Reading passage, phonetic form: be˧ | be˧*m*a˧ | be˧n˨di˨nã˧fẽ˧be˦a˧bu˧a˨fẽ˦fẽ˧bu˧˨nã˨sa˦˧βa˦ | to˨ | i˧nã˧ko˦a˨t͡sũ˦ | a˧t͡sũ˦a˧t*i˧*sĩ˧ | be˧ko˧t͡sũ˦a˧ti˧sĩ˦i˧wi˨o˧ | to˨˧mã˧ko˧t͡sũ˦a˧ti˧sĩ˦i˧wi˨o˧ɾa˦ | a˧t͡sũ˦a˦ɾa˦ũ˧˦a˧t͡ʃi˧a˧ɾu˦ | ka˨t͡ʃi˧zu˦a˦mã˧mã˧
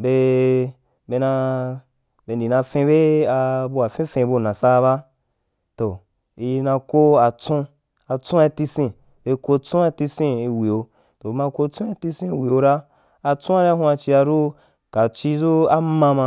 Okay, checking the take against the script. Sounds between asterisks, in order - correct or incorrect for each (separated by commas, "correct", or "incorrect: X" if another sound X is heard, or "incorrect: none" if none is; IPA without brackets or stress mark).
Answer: incorrect: n, correct